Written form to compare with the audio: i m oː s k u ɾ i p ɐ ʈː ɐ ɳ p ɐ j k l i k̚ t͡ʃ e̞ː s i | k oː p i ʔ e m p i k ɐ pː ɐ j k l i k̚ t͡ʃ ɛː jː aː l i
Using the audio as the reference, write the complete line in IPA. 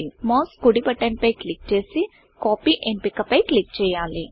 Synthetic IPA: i m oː s k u ɽ i p ɐ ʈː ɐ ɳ p ɐ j k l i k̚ t͡ʃ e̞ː s i | k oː p i ʔ e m p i k ɐ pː ɐ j k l i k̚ t͡ʃ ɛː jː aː l i

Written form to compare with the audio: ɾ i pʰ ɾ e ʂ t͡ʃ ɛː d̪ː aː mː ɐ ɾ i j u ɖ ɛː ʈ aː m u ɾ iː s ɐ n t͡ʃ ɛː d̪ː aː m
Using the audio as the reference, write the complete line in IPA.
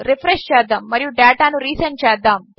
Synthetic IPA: ɾ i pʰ ɾ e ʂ t͡ʃ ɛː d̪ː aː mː ɐ ɾ i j u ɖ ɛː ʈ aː n u ɾ iː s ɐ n t͡ʃ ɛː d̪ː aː m

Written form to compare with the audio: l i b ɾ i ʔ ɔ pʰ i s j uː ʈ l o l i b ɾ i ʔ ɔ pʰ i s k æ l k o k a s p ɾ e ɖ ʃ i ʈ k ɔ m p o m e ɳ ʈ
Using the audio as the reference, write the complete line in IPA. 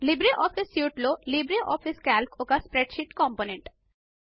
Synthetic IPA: l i b ɾ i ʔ ɔ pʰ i s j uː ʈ l o l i b ɾ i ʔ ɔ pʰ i s k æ l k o k a s p ɾ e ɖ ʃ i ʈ k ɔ m p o n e ɳ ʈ

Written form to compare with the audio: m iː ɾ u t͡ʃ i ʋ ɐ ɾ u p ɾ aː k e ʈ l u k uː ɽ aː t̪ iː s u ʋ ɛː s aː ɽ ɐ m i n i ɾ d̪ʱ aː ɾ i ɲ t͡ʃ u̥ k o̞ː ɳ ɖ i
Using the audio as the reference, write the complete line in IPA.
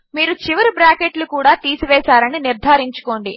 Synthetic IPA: m iː ɾ u t͡ʃ i ʋ ɐ ɾ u b ɾ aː k e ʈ l u k uː ɽ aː t̪ iː s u ʋ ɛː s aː ɾ ɐ n i n i ɾ d̪ʱ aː ɾ i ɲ t͡ʃ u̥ k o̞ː ɳ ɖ i

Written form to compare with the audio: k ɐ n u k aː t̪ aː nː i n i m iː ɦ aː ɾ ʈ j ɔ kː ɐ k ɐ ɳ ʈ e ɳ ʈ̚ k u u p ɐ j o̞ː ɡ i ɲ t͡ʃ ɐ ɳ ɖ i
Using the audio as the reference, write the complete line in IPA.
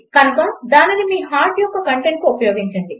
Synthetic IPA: k ɐ n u k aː d̪ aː n i n i m iː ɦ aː ɾ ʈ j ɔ kː ɐ k ɐ ɳ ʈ e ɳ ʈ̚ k u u p ɐ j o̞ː ɡ i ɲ t͡ʃ ɐ ɳ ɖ i

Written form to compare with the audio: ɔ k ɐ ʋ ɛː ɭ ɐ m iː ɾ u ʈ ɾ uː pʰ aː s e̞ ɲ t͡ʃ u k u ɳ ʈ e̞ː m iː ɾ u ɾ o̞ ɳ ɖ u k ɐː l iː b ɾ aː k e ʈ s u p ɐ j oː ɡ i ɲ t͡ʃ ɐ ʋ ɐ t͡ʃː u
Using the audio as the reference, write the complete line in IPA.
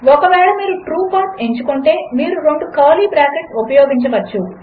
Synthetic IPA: ɔ k ɐ ʋ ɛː ɭ ɐ m iː ɾ u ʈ ɾ uː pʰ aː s e̞ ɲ t͡ʃ u k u ɳ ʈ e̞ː m iː ɾ u ɾ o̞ ɳ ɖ u k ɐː l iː b ɾ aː k e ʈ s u p ɐ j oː ɡ i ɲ t͡ʃ ɐ ʋ ɐ t͡ʃː u

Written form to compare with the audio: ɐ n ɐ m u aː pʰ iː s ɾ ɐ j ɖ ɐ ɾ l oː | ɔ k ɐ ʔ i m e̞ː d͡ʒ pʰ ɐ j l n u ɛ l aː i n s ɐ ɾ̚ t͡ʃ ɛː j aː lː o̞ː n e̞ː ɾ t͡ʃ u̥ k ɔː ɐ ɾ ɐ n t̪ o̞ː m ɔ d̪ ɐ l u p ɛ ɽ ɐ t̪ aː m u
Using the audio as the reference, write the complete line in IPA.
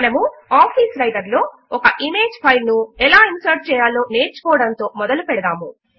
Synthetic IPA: ɐ n ɐ m u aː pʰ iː s ɾ ɐ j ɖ ɐ ɾ l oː | ɔ k ɐ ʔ i m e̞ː d͡ʒ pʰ ɐ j l n u ɛ l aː i n s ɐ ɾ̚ t͡ʃ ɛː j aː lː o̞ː n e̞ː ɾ t͡ʃ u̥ k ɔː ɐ ɽ ɐ n t̪ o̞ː m ɔ d̪ ɐ l u p ɛ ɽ ɐ d̪ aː m u

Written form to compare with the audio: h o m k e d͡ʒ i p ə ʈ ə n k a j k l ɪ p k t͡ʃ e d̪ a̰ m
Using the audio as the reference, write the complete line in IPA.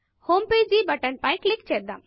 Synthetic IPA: h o m p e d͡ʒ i b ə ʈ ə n p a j k l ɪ k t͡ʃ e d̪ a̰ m

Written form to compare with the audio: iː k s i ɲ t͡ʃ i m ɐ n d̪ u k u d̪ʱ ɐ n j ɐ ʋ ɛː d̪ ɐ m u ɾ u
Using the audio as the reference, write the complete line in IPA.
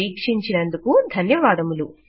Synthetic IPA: iː k ʂ i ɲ t͡ʃ i n ɐ n d̪ u k u d̪ʱ ɐ n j ɐ ʋ aː d̪ ɐ m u l u

